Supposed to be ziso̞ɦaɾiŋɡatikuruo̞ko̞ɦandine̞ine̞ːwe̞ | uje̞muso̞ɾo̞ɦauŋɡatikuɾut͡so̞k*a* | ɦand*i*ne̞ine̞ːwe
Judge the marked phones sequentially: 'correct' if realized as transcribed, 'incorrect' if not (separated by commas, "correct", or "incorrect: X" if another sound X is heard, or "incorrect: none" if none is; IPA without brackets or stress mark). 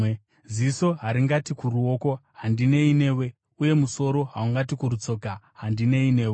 correct, correct